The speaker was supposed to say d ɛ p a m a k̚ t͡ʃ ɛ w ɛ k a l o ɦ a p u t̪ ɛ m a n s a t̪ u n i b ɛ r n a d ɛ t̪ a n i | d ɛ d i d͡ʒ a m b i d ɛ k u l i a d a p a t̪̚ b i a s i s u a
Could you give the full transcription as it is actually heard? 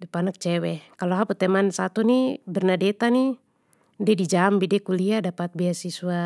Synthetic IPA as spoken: d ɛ p a n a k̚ t͡ʃ ɛ w ɛ k a l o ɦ a p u t̪ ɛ m a n s a t̪ u n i b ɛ r n a d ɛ t̪ a n i | d ɛ d i d͡ʒ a m b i d ɛ k u l i a d a p a t̪̚ b i a s i s u a